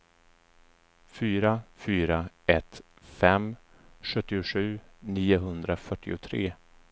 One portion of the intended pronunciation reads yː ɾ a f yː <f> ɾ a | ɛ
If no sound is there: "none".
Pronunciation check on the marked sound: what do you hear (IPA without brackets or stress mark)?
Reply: none